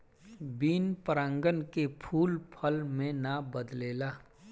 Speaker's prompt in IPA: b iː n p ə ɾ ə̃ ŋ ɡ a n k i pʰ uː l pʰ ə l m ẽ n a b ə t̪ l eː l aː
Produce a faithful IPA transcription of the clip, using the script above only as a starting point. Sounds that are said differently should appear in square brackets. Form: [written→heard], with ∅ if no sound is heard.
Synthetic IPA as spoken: b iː n p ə ɾ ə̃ ŋ ɡ [a→ə] n k [i→e] pʰ uː l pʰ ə l m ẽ n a b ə [t̪→d̪] l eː l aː